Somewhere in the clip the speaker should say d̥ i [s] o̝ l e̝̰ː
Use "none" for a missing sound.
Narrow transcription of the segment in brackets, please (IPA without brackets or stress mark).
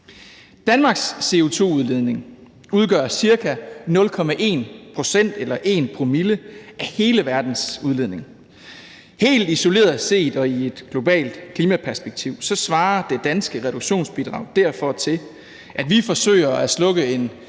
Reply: s